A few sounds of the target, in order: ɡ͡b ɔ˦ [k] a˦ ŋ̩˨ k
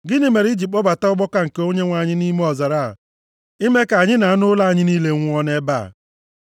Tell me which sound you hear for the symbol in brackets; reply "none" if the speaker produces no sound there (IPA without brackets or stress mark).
k